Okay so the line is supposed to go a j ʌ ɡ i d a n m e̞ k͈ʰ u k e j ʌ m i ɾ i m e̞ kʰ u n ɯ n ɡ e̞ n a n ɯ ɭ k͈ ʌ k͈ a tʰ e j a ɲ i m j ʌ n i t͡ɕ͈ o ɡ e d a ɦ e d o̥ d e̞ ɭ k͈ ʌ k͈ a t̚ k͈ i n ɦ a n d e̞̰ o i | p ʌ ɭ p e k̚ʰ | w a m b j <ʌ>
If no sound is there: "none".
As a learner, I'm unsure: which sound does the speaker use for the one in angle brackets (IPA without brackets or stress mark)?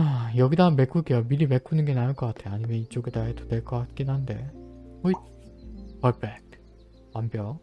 ʌ